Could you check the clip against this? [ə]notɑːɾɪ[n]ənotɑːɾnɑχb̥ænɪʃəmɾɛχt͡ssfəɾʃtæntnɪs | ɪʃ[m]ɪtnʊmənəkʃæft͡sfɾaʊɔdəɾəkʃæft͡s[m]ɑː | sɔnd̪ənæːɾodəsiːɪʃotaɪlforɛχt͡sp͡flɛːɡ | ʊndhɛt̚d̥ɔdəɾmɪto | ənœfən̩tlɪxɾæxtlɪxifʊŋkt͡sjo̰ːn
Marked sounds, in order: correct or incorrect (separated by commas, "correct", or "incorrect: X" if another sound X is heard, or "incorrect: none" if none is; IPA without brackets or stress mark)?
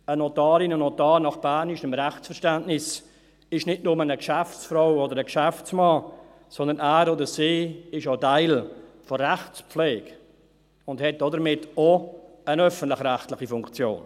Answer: correct, correct, incorrect: n, correct